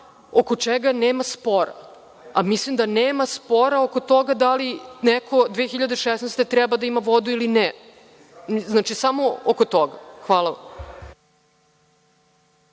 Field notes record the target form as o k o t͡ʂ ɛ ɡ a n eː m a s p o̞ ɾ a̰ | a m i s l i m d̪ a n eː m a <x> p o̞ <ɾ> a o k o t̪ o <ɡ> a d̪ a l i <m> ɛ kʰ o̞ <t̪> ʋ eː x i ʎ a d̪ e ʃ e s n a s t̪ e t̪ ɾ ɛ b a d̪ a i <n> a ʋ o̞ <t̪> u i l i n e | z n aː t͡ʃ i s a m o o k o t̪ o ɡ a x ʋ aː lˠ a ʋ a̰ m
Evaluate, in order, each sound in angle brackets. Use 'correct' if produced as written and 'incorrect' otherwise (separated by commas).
incorrect, correct, correct, incorrect, incorrect, incorrect, incorrect